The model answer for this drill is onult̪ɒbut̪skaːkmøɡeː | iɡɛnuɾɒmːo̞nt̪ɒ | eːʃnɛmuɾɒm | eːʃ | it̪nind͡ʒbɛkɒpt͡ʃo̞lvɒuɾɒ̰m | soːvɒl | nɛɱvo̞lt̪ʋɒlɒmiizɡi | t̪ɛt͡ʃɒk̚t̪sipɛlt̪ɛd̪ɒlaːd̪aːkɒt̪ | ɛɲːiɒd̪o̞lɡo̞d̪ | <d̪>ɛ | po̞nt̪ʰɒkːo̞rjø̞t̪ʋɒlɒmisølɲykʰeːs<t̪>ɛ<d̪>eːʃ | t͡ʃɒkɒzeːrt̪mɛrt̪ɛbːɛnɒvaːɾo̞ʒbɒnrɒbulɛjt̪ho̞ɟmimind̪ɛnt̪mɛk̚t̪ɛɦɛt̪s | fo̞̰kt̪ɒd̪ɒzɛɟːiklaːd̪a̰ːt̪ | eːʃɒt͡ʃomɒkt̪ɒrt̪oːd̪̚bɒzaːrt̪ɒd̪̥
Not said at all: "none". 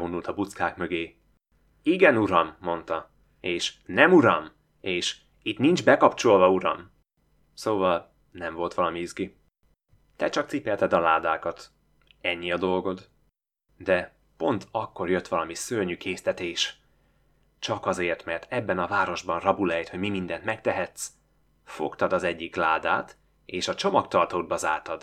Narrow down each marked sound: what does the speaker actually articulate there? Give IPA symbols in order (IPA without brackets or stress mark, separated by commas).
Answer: d̪, t̪, t̪